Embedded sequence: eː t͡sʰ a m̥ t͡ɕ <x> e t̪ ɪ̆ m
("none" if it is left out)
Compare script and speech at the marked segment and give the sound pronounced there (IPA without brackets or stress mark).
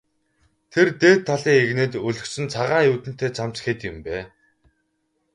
x